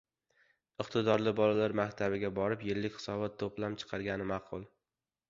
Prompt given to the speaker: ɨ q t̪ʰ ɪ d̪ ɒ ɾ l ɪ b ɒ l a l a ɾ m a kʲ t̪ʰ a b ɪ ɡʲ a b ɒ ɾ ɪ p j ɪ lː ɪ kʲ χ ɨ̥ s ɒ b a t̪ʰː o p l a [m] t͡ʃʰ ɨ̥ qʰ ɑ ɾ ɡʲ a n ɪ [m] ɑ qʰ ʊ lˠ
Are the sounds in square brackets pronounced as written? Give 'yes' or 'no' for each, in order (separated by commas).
yes, yes